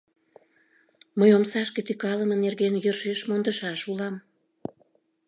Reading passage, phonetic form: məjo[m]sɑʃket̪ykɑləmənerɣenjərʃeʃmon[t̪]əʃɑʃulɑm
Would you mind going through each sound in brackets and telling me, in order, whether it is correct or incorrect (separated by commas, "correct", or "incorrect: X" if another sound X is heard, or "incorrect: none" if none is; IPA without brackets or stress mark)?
correct, incorrect: d̪